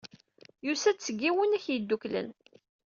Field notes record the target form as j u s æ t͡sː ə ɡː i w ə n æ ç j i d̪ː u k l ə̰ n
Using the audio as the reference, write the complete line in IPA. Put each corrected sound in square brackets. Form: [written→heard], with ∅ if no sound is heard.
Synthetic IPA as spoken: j u s æ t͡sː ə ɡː i w ə n æ ç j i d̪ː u k l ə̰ n